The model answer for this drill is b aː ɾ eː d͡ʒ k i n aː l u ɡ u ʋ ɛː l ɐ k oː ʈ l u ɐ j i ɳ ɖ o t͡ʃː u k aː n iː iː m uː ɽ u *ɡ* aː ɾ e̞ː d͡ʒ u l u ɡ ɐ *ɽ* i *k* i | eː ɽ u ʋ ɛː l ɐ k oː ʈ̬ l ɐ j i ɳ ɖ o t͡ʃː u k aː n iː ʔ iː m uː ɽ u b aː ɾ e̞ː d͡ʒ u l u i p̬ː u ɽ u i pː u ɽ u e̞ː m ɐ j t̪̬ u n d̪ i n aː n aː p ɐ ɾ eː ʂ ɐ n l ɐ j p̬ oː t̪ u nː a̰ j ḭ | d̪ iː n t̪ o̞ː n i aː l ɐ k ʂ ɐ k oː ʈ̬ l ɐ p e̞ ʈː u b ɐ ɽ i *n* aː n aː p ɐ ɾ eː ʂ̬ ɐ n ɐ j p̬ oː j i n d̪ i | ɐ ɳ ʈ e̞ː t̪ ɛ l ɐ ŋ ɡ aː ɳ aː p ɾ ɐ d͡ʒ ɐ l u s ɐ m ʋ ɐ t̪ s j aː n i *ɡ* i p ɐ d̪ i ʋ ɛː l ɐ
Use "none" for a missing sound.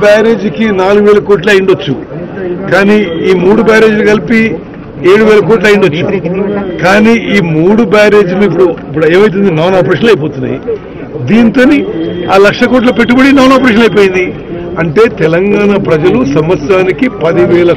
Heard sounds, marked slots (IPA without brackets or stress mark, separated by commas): b, l, p, n, k